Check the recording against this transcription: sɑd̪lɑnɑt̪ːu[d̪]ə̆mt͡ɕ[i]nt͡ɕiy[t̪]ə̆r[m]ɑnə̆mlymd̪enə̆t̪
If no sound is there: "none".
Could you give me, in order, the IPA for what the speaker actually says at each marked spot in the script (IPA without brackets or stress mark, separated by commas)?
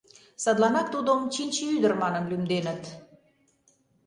d̪, i, d̪, m